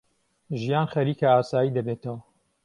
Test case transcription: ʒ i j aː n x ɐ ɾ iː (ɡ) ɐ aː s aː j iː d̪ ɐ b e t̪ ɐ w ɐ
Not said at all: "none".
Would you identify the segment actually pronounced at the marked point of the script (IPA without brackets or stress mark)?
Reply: k